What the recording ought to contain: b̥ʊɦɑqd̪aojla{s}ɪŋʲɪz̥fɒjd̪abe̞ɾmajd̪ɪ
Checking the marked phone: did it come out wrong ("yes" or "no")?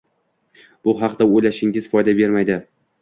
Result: yes